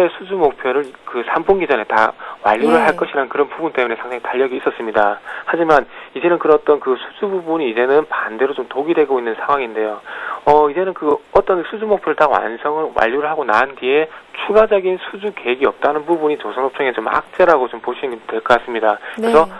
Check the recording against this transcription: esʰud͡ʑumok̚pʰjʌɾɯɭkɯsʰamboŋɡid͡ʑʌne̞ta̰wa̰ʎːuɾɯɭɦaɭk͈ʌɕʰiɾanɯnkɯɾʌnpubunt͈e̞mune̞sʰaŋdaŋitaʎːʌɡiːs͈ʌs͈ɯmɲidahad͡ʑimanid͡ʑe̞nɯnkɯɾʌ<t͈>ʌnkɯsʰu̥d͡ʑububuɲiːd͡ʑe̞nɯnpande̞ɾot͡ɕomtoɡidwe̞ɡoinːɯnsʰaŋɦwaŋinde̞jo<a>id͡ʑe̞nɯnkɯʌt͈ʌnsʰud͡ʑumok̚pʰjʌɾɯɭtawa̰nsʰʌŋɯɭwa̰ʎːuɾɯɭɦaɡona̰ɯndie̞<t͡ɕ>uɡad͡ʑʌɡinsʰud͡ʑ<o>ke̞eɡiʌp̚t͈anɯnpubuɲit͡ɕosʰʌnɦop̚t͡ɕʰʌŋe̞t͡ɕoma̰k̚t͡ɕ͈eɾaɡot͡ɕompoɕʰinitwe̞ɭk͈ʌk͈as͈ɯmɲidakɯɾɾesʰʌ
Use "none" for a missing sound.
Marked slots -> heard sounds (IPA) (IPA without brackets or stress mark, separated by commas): t͈, ʌ, t͡ɕʰ, u